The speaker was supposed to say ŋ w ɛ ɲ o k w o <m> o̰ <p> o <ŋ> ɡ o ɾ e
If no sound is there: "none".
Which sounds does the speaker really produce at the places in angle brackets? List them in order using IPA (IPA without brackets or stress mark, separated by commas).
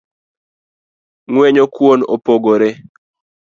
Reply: n, p, none